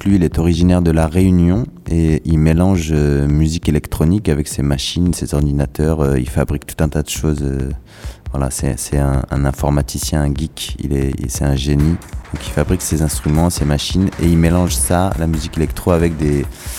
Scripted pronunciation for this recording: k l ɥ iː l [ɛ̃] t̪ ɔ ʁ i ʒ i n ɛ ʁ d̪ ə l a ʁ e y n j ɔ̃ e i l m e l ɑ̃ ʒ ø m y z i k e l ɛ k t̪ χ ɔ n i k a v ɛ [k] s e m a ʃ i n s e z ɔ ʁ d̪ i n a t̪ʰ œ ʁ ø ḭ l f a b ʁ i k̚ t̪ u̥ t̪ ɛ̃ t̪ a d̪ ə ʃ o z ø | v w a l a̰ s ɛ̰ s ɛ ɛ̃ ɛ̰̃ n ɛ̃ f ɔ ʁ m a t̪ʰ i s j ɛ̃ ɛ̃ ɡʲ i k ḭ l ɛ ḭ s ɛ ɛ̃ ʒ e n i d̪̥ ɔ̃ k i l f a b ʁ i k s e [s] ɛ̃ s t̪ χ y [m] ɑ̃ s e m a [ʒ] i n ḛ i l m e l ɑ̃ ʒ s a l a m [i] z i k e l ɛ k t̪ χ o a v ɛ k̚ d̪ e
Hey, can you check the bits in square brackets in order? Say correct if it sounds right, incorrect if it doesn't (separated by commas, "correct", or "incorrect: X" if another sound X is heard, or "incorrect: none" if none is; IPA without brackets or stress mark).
incorrect: ɛ, correct, incorrect: z, correct, incorrect: ʃ, incorrect: y